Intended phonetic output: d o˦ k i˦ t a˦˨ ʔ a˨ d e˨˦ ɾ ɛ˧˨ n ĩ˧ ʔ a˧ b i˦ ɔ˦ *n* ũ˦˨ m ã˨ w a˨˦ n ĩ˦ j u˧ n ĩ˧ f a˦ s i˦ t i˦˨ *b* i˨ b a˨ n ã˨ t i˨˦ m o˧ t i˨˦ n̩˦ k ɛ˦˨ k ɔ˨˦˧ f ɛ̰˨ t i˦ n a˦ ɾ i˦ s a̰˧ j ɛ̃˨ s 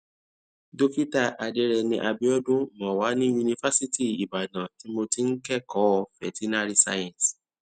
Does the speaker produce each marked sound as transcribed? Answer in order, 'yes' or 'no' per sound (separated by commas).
no, no